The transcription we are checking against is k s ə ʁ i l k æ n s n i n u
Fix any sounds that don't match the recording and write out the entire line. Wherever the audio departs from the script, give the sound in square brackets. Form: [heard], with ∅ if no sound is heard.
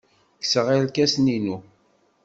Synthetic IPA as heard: k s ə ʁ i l k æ [∅] s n i n u